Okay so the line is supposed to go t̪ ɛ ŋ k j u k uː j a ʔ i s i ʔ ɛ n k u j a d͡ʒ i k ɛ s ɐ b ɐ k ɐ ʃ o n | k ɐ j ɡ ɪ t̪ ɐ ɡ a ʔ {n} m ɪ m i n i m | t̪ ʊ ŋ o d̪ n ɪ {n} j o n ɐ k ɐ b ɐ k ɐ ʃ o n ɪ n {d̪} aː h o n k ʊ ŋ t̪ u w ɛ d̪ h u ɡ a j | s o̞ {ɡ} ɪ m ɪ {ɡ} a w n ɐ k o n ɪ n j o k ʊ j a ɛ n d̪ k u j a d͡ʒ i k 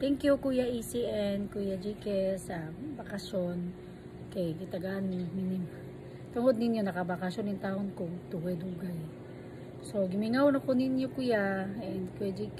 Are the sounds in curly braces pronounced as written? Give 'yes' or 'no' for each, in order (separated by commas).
yes, yes, no, yes, no